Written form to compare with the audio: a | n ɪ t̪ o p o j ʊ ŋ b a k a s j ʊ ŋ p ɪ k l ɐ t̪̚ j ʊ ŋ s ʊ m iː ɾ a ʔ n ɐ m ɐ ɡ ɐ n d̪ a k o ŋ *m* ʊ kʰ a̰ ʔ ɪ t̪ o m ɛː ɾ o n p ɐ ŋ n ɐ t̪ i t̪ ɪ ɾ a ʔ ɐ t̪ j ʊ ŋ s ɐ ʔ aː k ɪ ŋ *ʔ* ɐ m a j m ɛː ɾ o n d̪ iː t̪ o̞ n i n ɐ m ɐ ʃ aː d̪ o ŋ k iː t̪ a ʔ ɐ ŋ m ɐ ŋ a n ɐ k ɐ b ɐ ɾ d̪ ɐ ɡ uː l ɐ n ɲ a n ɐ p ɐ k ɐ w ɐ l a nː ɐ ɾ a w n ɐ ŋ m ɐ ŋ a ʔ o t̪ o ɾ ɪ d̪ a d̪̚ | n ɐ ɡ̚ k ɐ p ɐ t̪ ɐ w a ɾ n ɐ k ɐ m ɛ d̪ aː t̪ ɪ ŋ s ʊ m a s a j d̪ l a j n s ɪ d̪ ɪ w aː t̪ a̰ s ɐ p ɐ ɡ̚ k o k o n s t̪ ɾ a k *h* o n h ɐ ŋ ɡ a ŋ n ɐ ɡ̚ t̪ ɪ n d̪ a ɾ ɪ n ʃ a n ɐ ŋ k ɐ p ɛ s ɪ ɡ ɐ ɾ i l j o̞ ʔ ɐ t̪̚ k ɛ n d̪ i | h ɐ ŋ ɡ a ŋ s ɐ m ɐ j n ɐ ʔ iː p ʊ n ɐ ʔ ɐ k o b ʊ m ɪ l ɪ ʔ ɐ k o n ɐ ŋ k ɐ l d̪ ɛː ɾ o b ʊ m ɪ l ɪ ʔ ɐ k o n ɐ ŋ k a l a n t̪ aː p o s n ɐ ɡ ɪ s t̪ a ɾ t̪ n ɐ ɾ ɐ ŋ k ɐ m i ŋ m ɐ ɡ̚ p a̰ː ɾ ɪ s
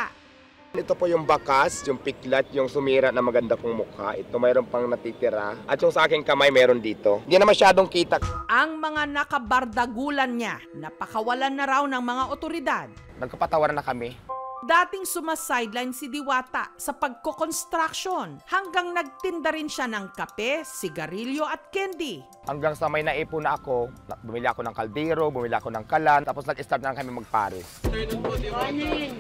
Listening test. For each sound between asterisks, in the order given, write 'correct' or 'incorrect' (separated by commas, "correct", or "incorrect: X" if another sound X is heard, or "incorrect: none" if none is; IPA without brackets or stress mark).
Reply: correct, incorrect: k, incorrect: ʃ